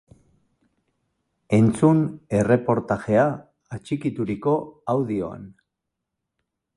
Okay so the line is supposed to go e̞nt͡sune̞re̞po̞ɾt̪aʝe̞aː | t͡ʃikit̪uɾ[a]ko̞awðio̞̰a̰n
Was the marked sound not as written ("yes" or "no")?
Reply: yes